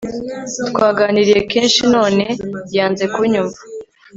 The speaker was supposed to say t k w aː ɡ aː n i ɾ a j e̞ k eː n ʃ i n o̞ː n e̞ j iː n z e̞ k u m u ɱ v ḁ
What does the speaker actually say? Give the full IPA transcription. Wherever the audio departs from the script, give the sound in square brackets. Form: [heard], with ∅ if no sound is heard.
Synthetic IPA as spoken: t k w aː ɡ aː n i ɾ [i] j e̞ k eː n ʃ i n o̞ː n e̞ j [aː] n z e̞ k u [ɲ] u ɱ v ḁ